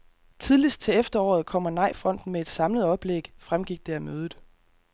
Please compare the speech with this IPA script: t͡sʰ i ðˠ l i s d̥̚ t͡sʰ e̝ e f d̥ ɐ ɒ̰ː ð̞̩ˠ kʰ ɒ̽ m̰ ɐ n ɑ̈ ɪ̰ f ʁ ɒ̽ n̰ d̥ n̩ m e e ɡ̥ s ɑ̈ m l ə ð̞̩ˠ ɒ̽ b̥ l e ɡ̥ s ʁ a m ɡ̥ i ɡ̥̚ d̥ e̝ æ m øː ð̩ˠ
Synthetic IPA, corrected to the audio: t͡sʰ i ðˠ l i s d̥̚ t͡sʰ e̝ e f d̥ ɐ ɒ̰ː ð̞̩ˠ kʰ ɒ̽ m̰ ɐ n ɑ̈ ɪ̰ f ʁ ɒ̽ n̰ d̥ n̩ m e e d̥ s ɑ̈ m l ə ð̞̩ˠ ɒ̽ b̥ l e ɡ̥ f ʁ a m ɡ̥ i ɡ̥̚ d̥ e̝ æ m øː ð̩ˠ